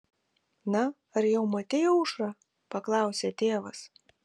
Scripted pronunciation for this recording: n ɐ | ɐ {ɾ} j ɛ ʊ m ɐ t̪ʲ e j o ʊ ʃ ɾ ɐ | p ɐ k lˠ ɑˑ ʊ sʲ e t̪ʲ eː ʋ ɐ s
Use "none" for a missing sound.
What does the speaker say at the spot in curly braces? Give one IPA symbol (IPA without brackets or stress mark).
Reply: ɾ